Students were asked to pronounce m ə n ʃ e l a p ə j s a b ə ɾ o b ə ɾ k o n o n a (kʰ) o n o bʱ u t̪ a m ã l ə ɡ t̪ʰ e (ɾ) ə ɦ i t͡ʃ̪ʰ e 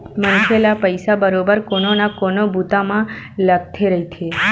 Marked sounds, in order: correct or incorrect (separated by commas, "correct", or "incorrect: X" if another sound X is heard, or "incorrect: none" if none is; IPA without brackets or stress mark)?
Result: incorrect: k, correct